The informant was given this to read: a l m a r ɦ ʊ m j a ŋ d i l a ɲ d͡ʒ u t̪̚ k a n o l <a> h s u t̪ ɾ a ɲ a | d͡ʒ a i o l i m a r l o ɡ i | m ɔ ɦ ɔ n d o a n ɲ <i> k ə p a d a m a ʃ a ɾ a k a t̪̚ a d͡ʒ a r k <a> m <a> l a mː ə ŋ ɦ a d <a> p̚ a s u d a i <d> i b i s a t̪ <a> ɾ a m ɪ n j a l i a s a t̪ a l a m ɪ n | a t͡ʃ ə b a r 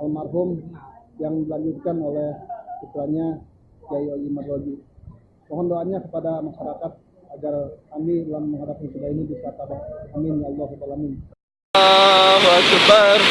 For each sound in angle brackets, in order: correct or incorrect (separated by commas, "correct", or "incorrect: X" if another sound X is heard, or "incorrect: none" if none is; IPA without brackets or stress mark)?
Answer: incorrect: ɛ, incorrect: a, correct, incorrect: i, correct, incorrect: n, correct